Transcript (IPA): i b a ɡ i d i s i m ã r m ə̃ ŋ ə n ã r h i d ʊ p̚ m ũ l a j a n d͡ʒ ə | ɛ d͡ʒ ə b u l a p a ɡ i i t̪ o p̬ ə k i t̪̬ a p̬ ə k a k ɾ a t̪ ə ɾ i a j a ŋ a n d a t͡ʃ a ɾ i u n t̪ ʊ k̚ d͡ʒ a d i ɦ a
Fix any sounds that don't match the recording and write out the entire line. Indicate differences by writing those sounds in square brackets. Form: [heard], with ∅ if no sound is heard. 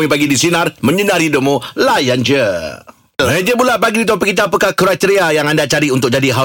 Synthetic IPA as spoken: i [p] a ɡ i d i s i [n] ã r m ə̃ [ɲ] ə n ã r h i d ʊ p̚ m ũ l a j a n d͡ʒ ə | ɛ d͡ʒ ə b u l a p a ɡ i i t̪ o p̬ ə k i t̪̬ a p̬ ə k a k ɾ a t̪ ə ɾ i a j a ŋ a n d a t͡ʃ a ɾ i u n t̪ ʊ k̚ d͡ʒ a d i ɦ a